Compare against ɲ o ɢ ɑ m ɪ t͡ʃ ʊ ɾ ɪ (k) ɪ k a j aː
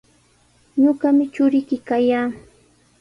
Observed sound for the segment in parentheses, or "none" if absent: k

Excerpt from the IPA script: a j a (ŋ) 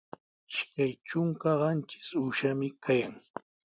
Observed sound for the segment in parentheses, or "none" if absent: ŋ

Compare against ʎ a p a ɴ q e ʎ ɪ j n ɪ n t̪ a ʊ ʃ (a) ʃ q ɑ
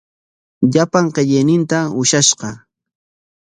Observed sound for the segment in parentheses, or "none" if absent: a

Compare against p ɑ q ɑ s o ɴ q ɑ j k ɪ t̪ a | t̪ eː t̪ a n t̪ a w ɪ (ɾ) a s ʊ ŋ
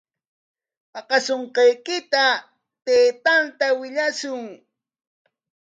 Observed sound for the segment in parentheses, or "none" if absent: ʎ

